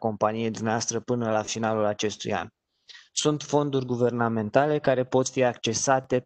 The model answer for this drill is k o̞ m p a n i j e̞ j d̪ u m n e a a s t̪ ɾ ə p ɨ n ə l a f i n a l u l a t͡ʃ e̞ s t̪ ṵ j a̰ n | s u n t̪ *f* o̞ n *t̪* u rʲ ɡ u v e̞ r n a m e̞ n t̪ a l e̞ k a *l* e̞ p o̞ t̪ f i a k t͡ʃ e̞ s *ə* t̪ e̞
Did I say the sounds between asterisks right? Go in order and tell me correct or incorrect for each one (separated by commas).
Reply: correct, incorrect, incorrect, incorrect